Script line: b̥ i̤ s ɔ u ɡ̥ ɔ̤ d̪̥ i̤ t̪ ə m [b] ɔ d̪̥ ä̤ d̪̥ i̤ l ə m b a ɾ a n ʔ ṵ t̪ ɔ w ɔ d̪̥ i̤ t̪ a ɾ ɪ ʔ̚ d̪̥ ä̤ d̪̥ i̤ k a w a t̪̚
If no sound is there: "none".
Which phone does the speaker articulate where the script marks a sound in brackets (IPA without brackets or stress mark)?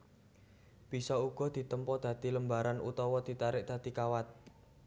p